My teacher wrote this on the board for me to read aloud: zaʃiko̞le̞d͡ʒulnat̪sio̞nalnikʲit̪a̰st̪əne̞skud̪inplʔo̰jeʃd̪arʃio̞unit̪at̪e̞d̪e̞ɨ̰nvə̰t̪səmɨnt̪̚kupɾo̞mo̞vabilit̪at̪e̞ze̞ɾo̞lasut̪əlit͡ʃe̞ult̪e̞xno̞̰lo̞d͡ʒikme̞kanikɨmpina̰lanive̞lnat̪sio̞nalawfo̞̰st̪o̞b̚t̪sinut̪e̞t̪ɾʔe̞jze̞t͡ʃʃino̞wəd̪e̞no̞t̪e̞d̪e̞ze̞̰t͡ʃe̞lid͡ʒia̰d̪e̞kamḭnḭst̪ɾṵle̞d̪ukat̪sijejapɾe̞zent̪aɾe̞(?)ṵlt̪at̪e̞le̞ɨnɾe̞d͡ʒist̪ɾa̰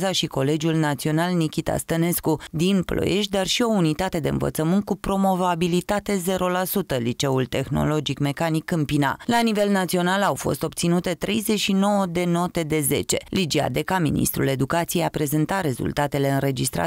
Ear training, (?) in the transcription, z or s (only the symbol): z